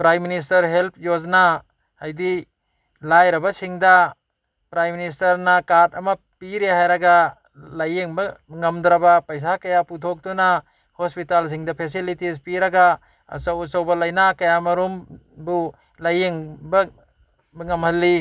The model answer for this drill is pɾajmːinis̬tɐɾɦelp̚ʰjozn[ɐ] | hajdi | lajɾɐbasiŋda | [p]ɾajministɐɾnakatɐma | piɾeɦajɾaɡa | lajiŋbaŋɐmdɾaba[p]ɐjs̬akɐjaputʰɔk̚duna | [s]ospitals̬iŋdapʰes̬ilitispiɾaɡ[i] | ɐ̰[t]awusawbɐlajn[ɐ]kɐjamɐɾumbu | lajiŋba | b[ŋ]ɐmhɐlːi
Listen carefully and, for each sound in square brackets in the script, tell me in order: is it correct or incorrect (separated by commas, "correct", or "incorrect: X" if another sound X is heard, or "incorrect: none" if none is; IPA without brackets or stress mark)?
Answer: incorrect: a, correct, correct, incorrect: h, incorrect: a, incorrect: s, incorrect: a, correct